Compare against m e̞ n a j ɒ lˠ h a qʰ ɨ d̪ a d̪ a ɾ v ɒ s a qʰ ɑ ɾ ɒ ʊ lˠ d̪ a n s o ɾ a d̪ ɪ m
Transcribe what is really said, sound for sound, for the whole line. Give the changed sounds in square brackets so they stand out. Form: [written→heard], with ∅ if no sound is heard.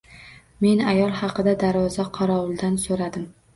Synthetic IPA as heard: m e̞ n a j ɒ lˠ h [a→ɑ] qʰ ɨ d̪ a d̪ a ɾ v ɒ [s→z] a qʰ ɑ ɾ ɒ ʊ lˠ d̪ a n s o ɾ a d̪ ɪ m